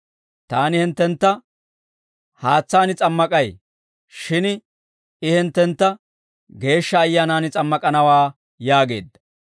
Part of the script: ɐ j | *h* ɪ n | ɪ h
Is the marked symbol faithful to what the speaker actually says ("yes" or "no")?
no